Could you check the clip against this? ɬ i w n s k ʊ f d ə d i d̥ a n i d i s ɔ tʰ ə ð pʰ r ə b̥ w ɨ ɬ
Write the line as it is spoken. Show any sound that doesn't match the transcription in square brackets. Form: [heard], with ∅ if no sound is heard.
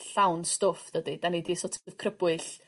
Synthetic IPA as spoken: ɬ [a] w n s [t] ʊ f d ə d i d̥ a n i d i s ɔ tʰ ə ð [kʰ] r ə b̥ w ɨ ɬ